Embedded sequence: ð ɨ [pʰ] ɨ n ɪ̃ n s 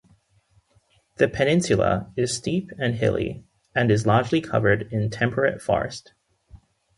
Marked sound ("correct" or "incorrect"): correct